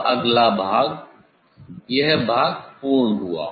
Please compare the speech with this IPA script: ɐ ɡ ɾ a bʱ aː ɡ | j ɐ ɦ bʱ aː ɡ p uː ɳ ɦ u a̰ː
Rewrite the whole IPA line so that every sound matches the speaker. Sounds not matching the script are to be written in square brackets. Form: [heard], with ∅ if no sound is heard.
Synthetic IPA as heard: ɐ ɡ [l] a bʱ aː ɡ | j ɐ ɦ bʱ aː ɡ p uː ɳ ɦ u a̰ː